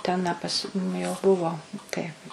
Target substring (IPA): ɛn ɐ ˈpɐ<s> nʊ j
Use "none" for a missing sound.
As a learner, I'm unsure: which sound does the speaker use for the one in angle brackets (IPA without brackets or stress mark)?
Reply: s